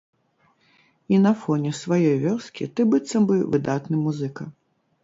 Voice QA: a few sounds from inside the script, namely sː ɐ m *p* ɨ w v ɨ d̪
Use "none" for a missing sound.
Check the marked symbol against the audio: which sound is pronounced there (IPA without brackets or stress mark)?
b